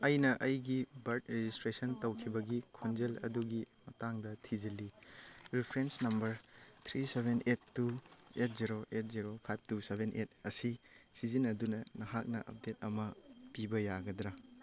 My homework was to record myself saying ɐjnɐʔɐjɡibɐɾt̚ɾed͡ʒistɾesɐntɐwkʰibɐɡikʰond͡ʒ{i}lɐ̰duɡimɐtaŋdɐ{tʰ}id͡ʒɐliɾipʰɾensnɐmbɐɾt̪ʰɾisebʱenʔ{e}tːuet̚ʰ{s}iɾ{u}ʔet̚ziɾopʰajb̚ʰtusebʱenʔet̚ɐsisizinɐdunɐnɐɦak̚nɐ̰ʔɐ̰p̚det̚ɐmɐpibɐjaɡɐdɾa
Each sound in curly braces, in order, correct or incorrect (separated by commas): incorrect, correct, correct, incorrect, incorrect